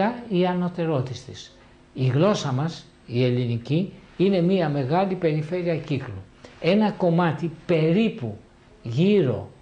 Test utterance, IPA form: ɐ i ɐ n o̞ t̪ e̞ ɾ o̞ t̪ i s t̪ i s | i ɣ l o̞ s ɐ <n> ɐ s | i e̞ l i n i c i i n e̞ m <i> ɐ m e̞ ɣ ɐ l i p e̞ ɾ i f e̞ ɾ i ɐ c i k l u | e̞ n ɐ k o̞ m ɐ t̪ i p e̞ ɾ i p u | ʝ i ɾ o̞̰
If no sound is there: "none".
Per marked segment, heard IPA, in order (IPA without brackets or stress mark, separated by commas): m, i